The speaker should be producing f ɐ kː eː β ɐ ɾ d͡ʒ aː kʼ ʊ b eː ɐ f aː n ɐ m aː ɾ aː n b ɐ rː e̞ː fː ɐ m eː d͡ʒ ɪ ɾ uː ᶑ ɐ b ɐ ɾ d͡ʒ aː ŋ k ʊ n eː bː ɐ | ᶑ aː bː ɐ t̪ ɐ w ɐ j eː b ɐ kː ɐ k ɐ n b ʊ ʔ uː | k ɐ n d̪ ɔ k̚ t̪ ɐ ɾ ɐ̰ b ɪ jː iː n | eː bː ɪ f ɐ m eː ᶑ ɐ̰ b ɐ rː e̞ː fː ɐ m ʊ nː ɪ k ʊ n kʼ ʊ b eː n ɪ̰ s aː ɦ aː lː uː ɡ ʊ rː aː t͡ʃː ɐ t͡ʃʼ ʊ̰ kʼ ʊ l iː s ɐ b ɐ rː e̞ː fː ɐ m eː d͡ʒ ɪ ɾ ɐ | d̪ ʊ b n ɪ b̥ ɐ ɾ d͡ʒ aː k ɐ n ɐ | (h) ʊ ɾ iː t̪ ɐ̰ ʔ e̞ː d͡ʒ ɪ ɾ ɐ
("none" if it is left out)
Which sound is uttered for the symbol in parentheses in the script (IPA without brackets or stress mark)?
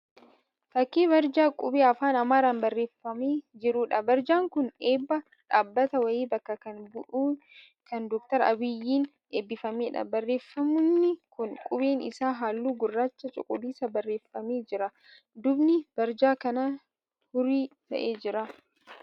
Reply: h